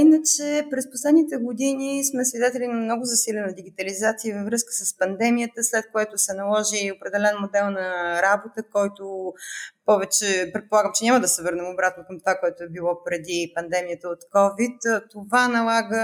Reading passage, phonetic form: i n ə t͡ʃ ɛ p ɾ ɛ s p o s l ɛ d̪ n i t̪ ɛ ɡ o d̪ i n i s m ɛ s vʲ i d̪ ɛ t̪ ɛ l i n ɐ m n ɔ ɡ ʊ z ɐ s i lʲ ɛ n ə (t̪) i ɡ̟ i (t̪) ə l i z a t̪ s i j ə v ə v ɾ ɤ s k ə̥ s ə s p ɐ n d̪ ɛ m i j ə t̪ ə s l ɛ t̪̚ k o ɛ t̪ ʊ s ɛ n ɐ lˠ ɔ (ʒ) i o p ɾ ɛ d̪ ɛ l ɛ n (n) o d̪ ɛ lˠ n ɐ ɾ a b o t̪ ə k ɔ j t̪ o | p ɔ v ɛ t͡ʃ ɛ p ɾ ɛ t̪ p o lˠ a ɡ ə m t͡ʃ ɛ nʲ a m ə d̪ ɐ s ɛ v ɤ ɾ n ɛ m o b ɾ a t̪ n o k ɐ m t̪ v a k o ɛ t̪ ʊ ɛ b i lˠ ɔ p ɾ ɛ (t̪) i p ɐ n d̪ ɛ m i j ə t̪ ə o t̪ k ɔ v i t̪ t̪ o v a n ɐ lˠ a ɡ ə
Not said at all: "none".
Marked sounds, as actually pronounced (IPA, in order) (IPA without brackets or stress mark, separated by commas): d̪, t̪, ʒ, m, d̪